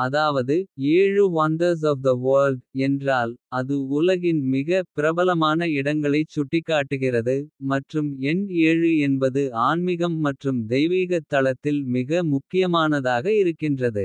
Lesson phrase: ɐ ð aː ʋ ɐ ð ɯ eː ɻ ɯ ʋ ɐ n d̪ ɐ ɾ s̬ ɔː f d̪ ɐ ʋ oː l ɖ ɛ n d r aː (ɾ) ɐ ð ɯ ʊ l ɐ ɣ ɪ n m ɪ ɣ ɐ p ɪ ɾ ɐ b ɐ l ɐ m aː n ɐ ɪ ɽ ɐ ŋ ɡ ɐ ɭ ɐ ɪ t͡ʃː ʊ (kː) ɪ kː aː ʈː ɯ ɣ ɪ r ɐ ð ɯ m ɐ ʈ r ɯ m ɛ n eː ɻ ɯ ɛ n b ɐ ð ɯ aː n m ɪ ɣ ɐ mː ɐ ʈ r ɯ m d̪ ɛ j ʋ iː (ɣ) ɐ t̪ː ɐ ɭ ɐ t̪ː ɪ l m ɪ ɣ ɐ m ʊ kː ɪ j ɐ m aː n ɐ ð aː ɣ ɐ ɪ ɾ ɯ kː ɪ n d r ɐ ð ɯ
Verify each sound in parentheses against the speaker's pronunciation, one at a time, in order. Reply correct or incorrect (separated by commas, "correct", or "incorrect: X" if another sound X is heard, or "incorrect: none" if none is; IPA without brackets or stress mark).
incorrect: l, incorrect: ʈː, correct